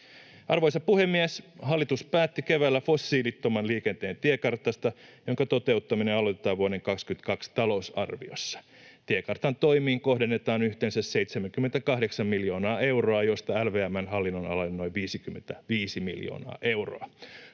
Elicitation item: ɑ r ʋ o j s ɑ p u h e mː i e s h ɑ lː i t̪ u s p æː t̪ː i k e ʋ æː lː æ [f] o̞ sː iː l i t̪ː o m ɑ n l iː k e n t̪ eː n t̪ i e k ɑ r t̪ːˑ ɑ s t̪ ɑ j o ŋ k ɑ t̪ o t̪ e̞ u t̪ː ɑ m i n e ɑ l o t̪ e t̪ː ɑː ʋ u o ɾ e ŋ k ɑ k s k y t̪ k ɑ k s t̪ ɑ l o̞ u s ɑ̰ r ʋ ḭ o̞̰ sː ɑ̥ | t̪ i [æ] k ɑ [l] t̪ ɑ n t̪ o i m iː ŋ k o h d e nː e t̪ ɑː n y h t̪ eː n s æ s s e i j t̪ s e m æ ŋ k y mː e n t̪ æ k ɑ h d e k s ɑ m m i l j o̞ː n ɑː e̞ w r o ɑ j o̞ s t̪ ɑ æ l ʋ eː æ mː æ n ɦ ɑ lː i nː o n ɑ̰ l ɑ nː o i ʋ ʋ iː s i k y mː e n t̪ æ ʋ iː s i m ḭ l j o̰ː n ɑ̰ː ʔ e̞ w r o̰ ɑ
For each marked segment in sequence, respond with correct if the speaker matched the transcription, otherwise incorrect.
correct, incorrect: e, incorrect: r

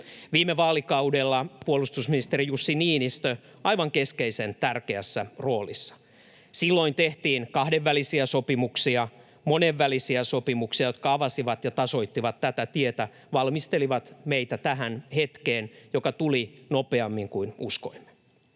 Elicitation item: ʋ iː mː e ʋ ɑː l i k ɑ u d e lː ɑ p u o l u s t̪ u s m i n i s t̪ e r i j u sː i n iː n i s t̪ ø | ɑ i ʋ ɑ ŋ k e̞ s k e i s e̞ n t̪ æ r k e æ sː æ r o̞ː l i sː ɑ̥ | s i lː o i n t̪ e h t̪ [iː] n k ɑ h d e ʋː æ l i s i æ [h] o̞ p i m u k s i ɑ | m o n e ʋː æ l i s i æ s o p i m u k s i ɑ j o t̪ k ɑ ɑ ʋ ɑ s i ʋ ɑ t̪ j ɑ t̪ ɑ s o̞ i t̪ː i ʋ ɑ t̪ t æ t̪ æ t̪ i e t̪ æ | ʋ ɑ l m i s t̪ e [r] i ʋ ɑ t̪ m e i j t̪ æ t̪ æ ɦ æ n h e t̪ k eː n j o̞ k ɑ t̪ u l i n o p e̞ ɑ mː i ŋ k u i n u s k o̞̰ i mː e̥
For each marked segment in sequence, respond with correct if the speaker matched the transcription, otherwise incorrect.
correct, incorrect: s, incorrect: l

